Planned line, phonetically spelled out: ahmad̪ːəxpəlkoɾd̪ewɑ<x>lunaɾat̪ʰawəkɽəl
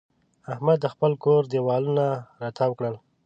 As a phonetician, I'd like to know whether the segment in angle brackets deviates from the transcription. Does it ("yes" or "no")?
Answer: yes